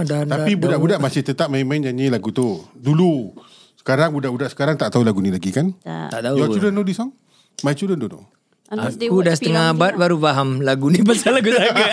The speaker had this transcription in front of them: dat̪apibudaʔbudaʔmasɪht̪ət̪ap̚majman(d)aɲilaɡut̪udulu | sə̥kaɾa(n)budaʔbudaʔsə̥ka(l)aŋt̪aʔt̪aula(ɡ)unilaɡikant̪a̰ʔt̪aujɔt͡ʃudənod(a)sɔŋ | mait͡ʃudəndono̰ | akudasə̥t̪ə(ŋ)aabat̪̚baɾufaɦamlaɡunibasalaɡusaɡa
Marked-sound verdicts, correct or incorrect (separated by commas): incorrect, incorrect, incorrect, correct, incorrect, correct